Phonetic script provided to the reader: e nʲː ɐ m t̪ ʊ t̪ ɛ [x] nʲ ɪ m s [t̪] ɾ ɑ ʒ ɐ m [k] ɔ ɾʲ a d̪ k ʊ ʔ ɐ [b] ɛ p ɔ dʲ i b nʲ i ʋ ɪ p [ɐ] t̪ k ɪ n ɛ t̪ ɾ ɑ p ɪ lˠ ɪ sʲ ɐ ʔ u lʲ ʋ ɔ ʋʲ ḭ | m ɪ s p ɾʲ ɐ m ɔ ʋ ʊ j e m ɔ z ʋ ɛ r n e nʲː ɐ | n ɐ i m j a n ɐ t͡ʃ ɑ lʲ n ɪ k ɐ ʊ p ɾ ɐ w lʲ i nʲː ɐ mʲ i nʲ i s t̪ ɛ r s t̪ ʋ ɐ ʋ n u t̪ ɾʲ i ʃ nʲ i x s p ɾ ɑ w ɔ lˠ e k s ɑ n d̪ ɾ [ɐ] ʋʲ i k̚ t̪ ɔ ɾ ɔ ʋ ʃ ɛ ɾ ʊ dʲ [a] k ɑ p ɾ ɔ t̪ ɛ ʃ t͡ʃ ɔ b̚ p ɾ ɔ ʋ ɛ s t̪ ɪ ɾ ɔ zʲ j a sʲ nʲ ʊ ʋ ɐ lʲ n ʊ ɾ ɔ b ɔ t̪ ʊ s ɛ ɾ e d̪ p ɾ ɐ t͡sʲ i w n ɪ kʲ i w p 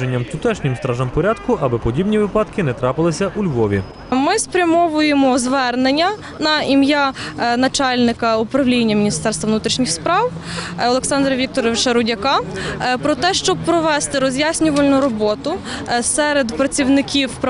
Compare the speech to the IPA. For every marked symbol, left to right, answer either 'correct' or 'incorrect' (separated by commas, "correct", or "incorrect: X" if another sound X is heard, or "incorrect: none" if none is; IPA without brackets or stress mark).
incorrect: ʃ, correct, incorrect: p, correct, incorrect: ɑ, correct, incorrect: ɐ